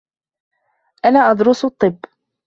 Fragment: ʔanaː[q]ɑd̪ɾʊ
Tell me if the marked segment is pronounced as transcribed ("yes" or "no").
no